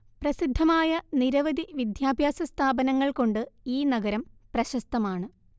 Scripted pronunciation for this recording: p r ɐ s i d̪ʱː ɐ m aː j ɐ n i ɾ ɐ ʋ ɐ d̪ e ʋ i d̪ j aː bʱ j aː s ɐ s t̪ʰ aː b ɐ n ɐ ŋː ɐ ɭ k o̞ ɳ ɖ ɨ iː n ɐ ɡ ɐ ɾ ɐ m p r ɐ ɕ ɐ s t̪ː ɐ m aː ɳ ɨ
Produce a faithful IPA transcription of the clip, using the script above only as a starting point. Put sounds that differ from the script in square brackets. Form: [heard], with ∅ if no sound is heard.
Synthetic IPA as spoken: p r ɐ s i d̪ʱː ɐ m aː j ɐ n i ɾ ɐ ʋ ɐ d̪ [i] ʋ i d̪ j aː bʱ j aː s ɐ s t̪ʰ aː b ɐ n ɐ ŋː ɐ ɭ k o̞ ɳ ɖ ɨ iː n ɐ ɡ ɐ ɾ ɐ m p r ɐ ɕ ɐ s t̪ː ɐ m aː ɳ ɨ

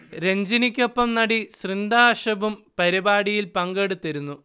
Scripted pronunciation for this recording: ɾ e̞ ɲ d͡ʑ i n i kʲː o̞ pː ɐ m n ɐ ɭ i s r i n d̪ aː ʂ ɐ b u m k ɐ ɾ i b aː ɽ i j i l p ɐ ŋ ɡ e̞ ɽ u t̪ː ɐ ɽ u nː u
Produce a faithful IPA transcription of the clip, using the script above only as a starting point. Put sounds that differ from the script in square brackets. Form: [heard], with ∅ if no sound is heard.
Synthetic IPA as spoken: ɾ e̞ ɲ d͡ʑ i n i kʲː o̞ pː ɐ m n ɐ [ɽ] i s r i n d̪ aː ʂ ɐ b u m [p] ɐ ɾ i b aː ɽ i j i l p ɐ ŋ ɡ e̞ ɽ u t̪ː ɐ [ɾ] u nː u

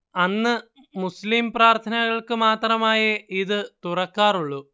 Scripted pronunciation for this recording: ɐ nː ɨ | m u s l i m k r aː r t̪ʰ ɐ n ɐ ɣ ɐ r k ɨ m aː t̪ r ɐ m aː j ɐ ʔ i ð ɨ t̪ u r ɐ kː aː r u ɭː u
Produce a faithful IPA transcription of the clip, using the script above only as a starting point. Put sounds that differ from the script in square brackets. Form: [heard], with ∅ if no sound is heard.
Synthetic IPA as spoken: ɐ nː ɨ | m u s l i m [p] r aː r t̪ʰ ɐ n ɐ ɣ ɐ [ɭ] k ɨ m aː t̪ r ɐ m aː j ɐ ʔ i ð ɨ t̪ u r ɐ kː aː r u ɭː u

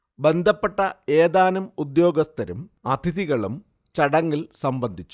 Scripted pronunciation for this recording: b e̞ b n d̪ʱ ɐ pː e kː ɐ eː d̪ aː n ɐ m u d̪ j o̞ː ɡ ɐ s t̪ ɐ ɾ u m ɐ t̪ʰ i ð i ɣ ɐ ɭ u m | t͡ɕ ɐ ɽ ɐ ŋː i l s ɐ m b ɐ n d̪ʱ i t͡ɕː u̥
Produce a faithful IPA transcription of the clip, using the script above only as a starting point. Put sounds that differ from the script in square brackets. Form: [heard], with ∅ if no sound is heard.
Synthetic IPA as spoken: b e̞ [∅] n d̪ʱ ɐ pː e [ʈː] ɐ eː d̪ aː n ɐ m u d̪ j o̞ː ɡ ɐ s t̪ ɐ ɾ u m ɐ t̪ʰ i ð i ɣ ɐ ɭ u m | t͡ɕ ɐ ɽ ɐ ŋː i l s ɐ m b ɐ n d̪ʱ i t͡ɕː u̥

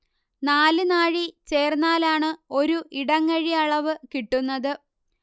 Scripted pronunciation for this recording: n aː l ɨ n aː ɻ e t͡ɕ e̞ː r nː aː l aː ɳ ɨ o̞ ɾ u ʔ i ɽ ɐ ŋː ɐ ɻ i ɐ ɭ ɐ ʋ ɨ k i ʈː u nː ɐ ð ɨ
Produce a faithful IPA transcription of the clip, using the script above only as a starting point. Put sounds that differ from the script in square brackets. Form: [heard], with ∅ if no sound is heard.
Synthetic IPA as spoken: n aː l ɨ n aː ɻ [i] t͡ɕ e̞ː r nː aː l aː ɳ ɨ o̞ ɾ u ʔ i ɽ ɐ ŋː ɐ ɻ i ɐ ɭ ɐ ʋ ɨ k i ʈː u nː ɐ ð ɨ

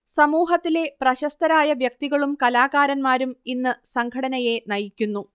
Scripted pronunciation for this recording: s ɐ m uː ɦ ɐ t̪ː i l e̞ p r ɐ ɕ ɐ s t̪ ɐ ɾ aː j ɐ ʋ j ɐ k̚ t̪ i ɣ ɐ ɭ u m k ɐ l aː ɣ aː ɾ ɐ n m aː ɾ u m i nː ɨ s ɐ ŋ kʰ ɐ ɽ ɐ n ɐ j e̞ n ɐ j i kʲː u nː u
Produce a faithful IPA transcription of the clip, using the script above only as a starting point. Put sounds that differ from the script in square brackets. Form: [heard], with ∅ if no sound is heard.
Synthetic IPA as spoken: s ɐ m uː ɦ ɐ t̪ː i l e̞ p r ɐ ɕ ɐ s t̪ ɐ ɾ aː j ɐ ʋ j ɐ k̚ t̪ i ɣ ɐ ɭ u m k ɐ l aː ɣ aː ɾ ɐ n m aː ɾ u m i nː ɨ s ɐ ŋ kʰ ɐ ɽ ɐ n ɐ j e̞ n ɐ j i kʲː u nː u

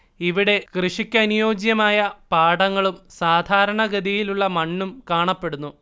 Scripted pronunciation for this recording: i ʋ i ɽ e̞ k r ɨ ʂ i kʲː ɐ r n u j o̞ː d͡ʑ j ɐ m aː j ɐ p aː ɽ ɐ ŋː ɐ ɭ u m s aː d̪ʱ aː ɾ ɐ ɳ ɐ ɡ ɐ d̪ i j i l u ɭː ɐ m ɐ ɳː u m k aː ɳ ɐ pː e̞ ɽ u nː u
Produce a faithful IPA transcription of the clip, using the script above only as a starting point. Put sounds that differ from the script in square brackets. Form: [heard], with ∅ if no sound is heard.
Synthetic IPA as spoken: i ʋ i ɽ e̞ k r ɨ ʂ i kʲː ɐ [∅] n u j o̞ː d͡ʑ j ɐ m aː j ɐ p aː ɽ ɐ ŋː ɐ ɭ u m s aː d̪ʱ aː ɾ ɐ ɳ ɐ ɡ ɐ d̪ i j i l u ɭː ɐ m ɐ ɳː u m k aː ɳ ɐ pː e̞ ɽ u nː u

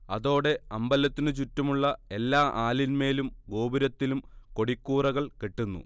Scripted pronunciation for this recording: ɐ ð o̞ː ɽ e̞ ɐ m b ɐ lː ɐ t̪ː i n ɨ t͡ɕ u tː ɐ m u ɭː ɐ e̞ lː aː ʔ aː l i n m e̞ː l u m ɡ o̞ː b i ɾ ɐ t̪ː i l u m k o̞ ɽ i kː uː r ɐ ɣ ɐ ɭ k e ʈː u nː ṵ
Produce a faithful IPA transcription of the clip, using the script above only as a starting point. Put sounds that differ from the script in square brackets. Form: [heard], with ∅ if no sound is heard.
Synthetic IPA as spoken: ɐ ð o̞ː ɽ e̞ ɐ m b ɐ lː ɐ t̪ː i n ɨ t͡ɕ u tː ɐ m u ɭː ɐ e̞ lː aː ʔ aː l i n m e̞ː l u m ɡ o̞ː b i ɾ ɐ t̪ː i l u m k o̞ ɽ i kː uː r ɐ ɣ ɐ ɭ k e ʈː u nː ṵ

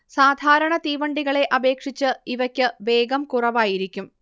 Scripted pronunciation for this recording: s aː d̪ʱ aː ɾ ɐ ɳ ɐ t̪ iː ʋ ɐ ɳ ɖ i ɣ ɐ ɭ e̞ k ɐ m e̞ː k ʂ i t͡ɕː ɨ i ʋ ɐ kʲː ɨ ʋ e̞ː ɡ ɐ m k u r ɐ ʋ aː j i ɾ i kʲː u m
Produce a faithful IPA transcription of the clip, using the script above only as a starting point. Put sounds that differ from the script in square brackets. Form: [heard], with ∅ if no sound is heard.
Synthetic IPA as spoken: s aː d̪ʱ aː ɾ ɐ ɳ ɐ t̪ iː ʋ ɐ ɳ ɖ i ɣ ɐ ɭ e̞ [ʔ] ɐ [b] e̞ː k ʂ i t͡ɕː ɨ i ʋ ɐ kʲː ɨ ʋ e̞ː ɡ ɐ m k u r ɐ ʋ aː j i ɾ i kʲː u m

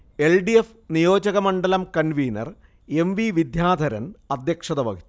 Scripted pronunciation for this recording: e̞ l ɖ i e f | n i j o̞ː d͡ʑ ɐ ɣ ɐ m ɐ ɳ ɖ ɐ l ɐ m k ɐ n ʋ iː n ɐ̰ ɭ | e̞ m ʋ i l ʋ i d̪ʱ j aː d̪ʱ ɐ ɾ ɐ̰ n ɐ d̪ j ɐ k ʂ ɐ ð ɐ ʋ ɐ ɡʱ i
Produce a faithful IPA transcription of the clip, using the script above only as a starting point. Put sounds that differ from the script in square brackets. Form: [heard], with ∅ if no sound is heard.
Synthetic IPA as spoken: e̞ l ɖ i e f | n i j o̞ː d͡ʑ ɐ ɣ ɐ m ɐ ɳ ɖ ɐ l ɐ m k ɐ n ʋ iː n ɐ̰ [r] | e̞ m ʋ i [∅] ʋ i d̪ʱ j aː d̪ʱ ɐ ɾ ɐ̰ n ɐ d̪ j ɐ k ʂ ɐ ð ɐ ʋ ɐ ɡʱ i

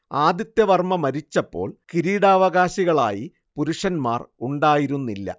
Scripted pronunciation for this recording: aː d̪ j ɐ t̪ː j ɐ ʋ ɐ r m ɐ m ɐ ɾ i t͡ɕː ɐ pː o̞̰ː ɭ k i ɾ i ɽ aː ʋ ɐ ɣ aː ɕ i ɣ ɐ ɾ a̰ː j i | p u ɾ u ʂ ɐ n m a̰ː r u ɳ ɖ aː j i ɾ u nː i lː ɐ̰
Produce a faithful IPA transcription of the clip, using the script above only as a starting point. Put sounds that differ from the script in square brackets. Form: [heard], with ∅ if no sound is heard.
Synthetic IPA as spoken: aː d̪ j ɐ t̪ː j ɐ ʋ ɐ r m ɐ m ɐ ɾ i t͡ɕː ɐ pː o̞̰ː ɭ k i ɾ [iː] ɽ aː ʋ ɐ ɣ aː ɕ i ɣ ɐ [ɭ] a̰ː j i | p u ɾ u ʂ ɐ n m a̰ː r u ɳ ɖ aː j i ɾ u nː i lː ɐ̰

